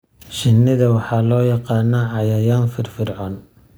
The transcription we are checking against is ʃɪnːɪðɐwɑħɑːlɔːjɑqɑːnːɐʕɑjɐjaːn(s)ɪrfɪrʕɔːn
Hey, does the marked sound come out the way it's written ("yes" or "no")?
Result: no